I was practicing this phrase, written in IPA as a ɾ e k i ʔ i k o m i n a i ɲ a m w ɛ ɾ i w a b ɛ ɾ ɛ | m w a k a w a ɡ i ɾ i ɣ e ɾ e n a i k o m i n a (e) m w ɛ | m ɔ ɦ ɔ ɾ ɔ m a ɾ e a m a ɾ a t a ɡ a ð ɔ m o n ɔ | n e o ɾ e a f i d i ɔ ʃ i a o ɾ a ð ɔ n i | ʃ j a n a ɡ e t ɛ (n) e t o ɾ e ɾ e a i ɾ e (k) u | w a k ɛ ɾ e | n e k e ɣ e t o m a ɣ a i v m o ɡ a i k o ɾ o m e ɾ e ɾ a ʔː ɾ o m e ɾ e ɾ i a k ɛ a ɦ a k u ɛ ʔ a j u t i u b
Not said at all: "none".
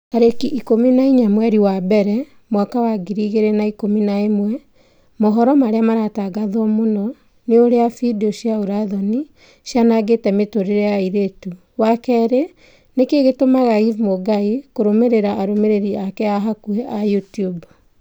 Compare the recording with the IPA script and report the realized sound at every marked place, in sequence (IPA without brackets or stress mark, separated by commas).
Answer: e, m, t